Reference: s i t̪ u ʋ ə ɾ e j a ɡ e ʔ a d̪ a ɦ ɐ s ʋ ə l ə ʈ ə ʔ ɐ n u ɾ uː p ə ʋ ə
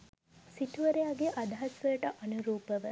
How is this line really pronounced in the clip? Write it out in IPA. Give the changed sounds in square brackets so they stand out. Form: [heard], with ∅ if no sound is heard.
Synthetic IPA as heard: s i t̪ u ʋ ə ɾ e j a ɡ e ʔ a d̪ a ɦ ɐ s ʋ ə l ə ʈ ə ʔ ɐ n u ɾ uː p ə ʋ ə